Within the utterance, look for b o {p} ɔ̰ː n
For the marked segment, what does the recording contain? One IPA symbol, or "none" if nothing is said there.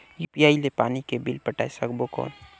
k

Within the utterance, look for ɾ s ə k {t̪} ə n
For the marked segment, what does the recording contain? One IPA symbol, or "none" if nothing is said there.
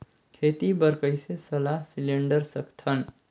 t̪ʰ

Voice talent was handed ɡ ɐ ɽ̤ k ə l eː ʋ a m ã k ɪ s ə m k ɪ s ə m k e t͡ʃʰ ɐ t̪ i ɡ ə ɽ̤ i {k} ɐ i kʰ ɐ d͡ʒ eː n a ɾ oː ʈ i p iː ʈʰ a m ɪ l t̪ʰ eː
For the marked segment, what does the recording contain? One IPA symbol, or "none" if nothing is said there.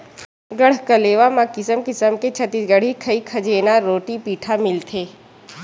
kʰ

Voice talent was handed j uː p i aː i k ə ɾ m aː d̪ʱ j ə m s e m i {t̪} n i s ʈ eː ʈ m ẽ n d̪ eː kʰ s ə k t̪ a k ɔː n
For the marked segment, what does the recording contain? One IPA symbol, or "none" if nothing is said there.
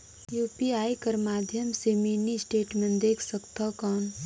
none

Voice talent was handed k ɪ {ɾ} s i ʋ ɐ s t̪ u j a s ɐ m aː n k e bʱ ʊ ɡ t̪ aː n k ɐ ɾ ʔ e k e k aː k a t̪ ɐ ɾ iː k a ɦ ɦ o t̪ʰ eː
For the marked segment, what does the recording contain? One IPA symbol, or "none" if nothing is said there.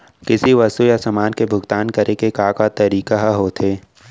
none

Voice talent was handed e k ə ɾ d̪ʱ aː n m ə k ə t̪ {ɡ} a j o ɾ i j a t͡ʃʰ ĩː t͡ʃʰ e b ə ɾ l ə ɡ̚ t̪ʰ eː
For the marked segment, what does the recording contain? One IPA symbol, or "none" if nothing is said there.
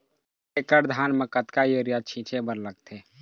k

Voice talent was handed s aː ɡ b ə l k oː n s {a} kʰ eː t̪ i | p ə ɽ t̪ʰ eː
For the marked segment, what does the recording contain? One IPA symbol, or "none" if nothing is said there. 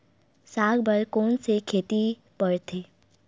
e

